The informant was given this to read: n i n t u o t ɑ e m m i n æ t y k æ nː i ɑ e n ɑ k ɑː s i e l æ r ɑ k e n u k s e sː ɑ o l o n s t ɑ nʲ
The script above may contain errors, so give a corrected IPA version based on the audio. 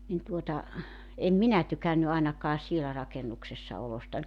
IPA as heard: n i n t u o t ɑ e m m i n æ t y k æ nː y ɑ e n ɑ k ɑː s i e l æ r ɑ k e n u k s e sː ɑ o l o s t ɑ nʲ